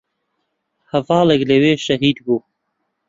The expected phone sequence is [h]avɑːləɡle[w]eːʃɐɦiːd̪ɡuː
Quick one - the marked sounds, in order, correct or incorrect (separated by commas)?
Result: correct, correct